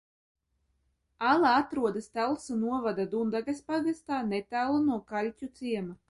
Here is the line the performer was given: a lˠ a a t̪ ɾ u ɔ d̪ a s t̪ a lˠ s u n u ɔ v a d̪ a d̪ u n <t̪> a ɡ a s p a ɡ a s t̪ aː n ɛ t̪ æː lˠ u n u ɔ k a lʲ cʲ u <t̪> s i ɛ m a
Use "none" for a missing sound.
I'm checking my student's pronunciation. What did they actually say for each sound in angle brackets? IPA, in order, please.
d̪, t̪

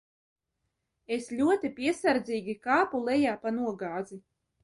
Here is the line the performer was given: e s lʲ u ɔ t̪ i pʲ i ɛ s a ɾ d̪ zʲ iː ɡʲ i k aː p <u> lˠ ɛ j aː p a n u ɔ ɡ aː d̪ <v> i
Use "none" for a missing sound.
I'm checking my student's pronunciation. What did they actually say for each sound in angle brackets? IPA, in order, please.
u, z

